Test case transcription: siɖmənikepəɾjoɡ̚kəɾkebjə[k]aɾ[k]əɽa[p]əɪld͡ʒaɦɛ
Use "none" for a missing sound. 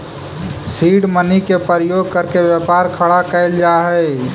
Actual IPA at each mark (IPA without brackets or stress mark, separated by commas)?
p, kʰ, k